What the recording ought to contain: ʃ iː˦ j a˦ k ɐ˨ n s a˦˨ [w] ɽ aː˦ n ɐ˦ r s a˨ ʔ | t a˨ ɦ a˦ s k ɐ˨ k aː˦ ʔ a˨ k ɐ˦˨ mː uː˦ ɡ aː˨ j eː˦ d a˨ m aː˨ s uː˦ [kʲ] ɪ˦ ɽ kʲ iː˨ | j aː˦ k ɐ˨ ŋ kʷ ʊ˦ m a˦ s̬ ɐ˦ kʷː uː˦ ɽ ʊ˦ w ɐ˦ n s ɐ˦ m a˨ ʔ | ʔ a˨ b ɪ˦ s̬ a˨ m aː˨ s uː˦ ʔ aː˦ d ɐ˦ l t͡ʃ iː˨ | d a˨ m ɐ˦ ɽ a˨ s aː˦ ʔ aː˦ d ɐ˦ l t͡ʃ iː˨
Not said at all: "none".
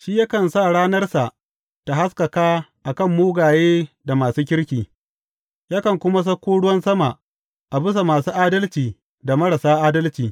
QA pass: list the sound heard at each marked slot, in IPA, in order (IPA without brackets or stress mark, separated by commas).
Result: none, kʲ